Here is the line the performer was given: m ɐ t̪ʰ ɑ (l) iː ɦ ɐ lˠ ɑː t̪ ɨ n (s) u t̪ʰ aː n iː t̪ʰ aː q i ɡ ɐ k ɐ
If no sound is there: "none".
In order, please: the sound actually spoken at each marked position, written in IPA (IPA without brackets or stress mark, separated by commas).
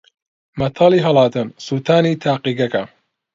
l, s